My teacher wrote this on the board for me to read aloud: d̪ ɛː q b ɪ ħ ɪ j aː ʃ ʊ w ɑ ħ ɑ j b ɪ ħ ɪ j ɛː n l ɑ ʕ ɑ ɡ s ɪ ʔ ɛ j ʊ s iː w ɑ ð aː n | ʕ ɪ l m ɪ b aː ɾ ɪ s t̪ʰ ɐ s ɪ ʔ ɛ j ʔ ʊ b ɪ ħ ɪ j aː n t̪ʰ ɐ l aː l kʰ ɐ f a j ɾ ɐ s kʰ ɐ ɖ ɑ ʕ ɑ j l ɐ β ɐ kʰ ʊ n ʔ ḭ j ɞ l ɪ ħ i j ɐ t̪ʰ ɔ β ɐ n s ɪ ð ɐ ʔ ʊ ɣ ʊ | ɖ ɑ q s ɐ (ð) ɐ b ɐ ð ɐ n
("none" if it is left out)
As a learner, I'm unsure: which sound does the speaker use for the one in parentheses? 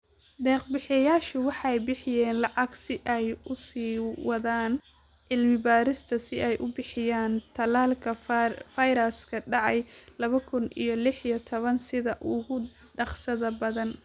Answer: ð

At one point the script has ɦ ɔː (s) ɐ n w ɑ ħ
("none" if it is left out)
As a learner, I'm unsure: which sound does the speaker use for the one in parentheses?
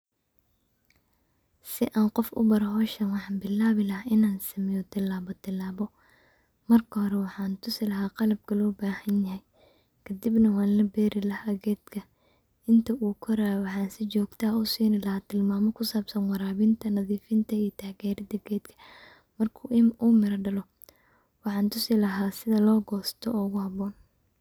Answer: ʃ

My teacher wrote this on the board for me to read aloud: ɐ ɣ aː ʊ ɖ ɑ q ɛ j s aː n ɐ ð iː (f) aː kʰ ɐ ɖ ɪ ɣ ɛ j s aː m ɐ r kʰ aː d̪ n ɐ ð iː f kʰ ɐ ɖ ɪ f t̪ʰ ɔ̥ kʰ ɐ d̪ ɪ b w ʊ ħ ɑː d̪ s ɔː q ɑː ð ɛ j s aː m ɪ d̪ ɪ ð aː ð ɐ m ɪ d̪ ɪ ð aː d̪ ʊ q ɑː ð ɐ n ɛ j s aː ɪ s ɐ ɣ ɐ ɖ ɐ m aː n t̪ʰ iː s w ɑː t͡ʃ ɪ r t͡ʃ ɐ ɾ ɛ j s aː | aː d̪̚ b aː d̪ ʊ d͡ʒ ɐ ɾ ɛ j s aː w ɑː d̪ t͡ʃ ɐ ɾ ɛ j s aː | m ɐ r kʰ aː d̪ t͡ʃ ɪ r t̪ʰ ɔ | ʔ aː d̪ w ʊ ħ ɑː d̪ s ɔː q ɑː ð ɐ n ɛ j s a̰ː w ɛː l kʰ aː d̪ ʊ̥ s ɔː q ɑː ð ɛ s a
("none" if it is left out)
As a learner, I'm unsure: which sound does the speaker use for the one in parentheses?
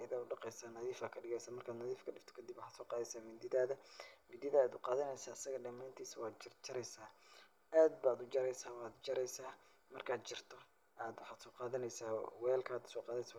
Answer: f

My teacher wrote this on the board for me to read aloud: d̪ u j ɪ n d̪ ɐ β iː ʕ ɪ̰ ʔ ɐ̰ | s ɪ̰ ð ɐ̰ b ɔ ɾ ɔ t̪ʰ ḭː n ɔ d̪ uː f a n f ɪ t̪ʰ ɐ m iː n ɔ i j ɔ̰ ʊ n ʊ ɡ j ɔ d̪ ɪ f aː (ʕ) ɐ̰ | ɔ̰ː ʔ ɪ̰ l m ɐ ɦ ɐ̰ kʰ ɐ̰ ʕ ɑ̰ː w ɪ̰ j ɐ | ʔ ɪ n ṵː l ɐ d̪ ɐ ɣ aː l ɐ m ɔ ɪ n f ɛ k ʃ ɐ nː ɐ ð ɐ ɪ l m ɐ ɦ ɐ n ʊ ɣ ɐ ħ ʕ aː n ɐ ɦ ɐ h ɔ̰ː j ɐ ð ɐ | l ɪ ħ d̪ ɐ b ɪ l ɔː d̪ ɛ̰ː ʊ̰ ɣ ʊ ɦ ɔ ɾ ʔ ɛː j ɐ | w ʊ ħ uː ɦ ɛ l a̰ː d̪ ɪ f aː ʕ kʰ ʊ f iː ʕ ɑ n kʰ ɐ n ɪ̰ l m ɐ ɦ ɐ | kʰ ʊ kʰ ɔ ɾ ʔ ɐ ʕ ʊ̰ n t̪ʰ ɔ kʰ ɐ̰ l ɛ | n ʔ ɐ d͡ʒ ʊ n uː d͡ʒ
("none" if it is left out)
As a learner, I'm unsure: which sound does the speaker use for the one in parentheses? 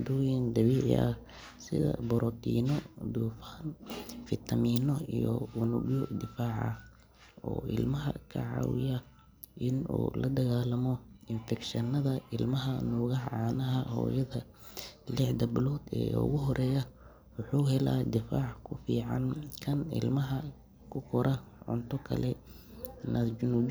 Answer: ʕ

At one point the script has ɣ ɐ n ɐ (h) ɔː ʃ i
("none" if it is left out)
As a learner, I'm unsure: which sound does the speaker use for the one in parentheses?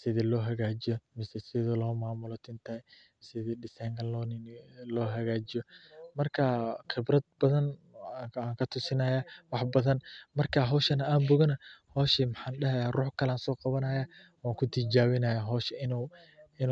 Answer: h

